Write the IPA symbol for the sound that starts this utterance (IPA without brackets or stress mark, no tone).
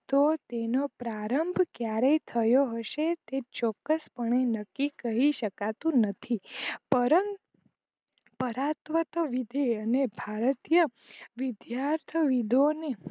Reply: t̪